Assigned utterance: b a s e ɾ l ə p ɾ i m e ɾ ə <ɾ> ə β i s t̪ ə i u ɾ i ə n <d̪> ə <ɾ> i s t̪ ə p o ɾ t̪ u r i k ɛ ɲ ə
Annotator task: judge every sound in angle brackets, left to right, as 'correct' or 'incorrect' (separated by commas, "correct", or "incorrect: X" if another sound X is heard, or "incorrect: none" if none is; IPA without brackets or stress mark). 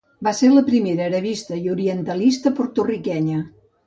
correct, incorrect: t̪, incorrect: l